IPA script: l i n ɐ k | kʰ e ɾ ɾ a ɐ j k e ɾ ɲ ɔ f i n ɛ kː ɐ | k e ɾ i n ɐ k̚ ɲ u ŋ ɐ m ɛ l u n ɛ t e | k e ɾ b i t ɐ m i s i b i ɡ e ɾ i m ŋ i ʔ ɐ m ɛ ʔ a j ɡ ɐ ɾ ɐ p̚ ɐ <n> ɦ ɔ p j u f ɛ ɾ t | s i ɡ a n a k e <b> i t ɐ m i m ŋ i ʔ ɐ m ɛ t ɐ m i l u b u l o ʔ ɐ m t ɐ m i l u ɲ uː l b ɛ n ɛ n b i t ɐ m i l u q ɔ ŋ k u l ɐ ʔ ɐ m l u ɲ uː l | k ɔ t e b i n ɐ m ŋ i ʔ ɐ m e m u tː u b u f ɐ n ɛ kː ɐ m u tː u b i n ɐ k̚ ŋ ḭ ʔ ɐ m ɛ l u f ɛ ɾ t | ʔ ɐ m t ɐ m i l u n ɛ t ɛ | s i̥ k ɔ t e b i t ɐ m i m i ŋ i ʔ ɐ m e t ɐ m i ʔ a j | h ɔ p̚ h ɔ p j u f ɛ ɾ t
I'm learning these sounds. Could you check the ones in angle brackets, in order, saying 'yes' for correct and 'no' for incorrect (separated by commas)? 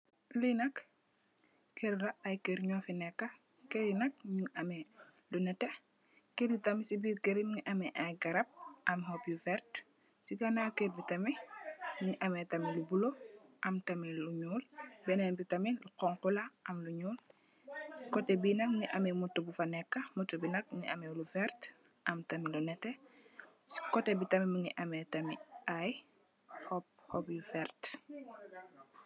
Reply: no, yes